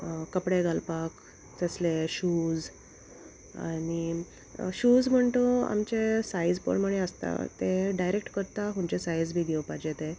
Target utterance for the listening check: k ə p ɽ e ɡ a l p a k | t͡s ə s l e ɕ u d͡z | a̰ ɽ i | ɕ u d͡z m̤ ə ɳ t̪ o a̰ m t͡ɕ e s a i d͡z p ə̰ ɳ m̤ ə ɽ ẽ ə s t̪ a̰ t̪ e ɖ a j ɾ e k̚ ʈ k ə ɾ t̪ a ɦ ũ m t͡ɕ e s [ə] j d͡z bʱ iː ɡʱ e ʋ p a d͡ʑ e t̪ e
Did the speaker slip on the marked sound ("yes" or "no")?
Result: yes